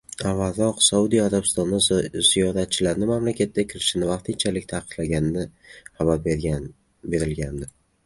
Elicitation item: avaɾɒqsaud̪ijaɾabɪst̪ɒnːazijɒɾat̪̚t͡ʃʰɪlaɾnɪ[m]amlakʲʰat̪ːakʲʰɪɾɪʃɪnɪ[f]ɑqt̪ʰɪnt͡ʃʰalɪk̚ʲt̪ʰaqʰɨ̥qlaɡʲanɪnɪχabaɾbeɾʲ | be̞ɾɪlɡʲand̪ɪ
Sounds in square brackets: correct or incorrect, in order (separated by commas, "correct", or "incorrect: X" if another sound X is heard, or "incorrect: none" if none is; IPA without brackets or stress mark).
correct, incorrect: v